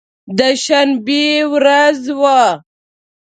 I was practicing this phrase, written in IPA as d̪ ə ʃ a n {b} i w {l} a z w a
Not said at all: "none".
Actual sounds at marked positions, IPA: b, ɾ

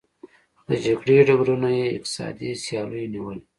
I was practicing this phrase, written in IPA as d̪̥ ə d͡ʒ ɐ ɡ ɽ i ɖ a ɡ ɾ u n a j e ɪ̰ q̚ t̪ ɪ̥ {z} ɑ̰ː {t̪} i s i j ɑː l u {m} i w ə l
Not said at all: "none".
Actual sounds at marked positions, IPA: s, d̪, n

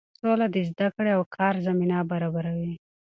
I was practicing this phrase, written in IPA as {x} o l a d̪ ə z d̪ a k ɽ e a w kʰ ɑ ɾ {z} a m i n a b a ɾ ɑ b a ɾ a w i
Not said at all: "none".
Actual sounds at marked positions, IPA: s, z

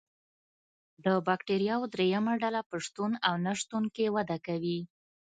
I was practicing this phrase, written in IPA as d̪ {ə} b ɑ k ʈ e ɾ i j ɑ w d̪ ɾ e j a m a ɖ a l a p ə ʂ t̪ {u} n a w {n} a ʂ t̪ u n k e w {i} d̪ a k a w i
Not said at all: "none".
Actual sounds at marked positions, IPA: ə, u, n, a

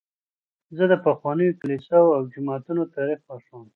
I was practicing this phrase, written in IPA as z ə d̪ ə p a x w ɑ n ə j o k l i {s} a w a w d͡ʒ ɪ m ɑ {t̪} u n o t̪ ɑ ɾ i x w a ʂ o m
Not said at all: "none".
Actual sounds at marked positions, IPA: s, t̪

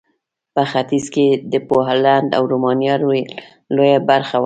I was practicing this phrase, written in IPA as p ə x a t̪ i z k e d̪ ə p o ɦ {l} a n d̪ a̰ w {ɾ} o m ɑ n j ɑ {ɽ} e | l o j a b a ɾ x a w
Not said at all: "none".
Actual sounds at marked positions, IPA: l, ɾ, ɾ

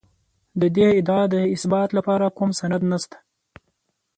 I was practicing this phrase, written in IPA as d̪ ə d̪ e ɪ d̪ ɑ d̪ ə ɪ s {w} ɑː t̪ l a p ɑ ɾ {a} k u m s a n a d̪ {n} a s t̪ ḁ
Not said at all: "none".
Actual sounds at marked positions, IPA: b, a, n

